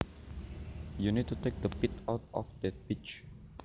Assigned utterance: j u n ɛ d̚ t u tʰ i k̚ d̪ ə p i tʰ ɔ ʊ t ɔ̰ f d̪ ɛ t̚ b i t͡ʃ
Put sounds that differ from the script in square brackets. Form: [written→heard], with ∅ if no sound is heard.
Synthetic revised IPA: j u n [ɛ→i] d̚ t u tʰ [i→e] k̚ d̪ ə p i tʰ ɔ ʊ t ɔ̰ f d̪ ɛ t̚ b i t͡ʃ